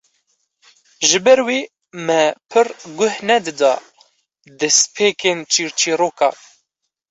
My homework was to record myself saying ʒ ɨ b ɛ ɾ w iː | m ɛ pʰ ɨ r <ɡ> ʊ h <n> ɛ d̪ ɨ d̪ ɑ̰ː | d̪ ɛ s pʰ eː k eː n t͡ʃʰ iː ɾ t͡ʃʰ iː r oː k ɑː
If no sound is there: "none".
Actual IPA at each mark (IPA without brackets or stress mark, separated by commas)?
ɡ, n